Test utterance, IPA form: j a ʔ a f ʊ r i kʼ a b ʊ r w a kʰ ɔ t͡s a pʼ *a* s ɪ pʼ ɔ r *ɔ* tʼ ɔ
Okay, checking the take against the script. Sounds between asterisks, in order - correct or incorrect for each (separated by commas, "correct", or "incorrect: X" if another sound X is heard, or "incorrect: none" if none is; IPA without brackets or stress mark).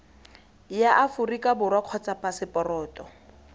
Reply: correct, incorrect: ɔː